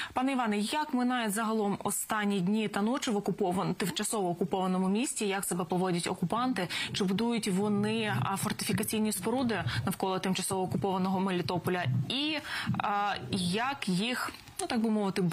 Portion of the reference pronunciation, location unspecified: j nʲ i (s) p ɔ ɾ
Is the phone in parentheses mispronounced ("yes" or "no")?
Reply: no